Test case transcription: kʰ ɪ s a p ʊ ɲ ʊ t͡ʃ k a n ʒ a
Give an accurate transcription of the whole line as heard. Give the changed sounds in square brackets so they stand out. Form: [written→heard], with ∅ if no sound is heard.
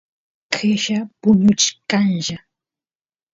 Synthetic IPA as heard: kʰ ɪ [s→ʃ] a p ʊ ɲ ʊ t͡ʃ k a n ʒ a